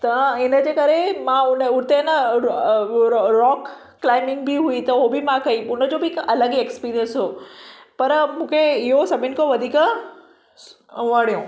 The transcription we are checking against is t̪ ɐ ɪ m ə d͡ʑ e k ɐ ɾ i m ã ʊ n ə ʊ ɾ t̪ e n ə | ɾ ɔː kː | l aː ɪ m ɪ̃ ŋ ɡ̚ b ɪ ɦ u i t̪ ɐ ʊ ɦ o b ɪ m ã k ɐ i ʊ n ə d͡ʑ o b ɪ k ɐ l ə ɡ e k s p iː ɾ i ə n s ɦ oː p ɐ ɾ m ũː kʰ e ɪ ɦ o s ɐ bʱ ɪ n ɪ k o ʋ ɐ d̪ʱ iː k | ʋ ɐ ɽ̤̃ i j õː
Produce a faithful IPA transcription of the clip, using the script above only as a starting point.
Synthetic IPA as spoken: t̪ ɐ ɪ n ə d͡ʑ e k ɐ ɾ e m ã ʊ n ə ʊ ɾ t̪ e n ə | ɾ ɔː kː | l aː ɪ m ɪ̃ ŋ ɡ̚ b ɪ ɦ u i t̪ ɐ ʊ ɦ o b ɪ m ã k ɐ i ʊ n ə d͡ʑ o b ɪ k ɐ l ə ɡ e k s p iː ɾ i ə n s ɦ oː p ɐ ɾ m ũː kʰ e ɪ ɦ o s ɐ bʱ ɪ n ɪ k o ʋ ɐ d̪ʱ iː k | ʋ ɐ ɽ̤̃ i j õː